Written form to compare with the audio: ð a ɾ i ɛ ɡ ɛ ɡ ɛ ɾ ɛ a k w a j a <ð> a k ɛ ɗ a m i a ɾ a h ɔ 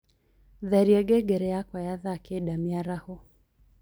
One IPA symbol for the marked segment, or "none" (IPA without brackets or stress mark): ð